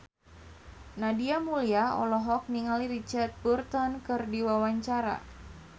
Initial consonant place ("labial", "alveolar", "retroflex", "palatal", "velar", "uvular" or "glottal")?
alveolar